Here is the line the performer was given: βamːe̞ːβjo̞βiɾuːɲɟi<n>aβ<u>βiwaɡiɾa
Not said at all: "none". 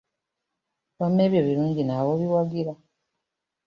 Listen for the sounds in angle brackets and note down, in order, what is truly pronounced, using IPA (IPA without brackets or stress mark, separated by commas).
n, o